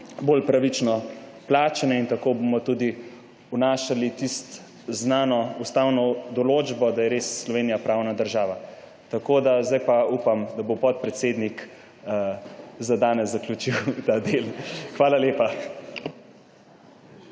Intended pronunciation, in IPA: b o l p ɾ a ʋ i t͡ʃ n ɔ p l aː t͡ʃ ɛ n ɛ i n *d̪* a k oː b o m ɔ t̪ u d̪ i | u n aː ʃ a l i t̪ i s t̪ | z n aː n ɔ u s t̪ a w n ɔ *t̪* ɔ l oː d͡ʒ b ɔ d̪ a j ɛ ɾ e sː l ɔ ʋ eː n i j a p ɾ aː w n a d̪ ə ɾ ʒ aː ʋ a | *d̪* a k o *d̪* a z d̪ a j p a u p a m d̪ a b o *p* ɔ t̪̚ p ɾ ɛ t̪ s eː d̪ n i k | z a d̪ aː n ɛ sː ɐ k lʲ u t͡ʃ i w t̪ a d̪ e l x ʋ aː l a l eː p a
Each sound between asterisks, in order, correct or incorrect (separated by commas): incorrect, incorrect, incorrect, correct, correct